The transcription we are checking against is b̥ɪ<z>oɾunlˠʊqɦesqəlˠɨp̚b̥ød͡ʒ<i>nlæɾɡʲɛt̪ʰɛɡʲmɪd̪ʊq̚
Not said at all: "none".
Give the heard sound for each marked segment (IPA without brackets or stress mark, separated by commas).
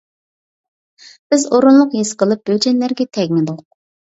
z, ɛ